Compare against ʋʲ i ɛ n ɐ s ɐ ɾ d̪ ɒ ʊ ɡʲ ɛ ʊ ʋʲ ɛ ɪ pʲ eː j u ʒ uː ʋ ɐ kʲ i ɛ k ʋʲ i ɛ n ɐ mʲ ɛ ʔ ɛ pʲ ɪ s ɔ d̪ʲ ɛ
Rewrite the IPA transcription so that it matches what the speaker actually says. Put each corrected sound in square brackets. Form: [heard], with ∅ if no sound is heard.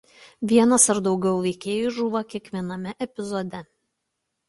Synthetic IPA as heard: ʋʲ i ɛ n ɐ s ɐ ɾ d̪ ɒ ʊ ɡʲ ɛ ʊ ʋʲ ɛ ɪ [kʲ] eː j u ʒ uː ʋ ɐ kʲ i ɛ k ʋʲ i ɛ n ɐ mʲ ɛ ʔ ɛ pʲ ɪ [z] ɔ d̪ʲ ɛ